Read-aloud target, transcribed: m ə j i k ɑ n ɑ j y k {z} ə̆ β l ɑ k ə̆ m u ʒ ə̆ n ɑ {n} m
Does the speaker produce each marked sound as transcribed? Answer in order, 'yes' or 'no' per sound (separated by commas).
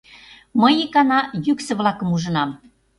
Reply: no, no